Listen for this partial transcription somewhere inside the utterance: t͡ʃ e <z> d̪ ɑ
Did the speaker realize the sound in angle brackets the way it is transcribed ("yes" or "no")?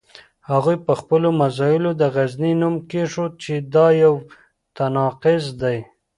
no